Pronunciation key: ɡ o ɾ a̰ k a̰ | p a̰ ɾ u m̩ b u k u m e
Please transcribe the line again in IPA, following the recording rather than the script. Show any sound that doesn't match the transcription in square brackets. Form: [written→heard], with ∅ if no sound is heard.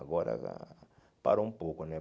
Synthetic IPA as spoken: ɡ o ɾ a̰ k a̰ | p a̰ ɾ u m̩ [b→p] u k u [m→n] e